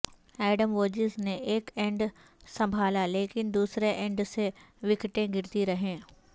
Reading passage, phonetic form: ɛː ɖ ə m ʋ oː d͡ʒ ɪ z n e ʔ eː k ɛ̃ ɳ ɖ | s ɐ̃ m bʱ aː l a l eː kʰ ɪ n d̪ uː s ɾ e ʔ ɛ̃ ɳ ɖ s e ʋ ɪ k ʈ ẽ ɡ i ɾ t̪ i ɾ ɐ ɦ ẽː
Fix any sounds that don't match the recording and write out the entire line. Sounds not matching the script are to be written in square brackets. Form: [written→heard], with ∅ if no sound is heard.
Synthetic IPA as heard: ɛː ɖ ə m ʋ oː d͡ʒ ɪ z n e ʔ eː k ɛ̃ ɳ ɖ | s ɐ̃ m bʱ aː l a l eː [kʰ→k] ɪ n d̪ uː s ɾ e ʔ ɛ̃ ɳ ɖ s e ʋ ɪ k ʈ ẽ ɡ [i→ɪ] ɾ t̪ i ɾ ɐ ɦ ẽː